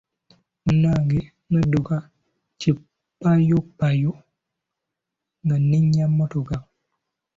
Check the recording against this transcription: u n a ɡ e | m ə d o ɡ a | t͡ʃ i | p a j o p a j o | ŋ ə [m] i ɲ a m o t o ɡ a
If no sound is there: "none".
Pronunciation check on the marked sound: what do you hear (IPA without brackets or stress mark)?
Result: n